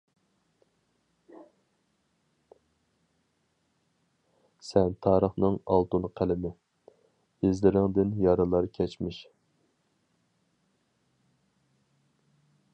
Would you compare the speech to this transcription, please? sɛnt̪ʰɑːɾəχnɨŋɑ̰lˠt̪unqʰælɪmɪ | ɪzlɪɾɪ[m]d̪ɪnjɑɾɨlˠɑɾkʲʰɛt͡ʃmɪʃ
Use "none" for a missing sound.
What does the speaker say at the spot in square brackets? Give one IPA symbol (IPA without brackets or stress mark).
ŋ